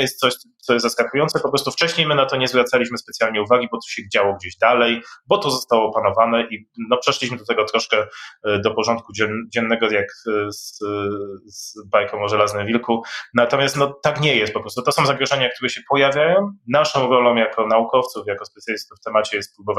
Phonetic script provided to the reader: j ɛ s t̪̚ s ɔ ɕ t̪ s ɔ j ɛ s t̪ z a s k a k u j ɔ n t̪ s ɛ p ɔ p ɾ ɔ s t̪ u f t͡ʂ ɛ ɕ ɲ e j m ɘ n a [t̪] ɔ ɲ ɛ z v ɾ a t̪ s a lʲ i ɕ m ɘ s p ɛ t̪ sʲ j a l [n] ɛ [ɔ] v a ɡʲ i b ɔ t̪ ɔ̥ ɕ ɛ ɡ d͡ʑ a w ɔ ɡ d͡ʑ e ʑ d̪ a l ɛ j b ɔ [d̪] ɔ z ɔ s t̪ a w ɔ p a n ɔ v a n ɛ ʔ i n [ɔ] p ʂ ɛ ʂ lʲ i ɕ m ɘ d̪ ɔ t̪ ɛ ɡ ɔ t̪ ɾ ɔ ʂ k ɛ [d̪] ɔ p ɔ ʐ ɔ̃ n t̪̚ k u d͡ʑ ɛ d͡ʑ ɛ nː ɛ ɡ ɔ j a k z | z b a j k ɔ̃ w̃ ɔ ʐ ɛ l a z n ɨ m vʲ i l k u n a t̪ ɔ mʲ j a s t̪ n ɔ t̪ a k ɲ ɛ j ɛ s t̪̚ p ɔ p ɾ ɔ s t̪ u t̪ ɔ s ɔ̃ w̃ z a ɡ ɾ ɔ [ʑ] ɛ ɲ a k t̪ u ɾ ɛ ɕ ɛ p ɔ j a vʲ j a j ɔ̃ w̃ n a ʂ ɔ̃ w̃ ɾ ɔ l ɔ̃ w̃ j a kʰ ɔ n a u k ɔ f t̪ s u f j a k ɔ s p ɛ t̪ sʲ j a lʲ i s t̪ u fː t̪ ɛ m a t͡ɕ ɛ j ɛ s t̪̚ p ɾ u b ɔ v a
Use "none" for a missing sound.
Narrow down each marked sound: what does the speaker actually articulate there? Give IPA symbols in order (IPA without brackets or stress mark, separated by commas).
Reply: t̪, ɲ, u, t̪, ɔ, d̪, ʐ